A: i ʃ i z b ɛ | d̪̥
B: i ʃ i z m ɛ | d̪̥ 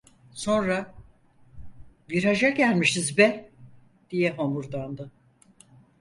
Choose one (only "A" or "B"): A